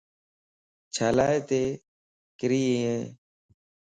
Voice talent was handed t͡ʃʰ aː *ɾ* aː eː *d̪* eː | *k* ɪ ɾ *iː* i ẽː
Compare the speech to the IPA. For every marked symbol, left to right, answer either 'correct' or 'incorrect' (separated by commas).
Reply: incorrect, incorrect, correct, correct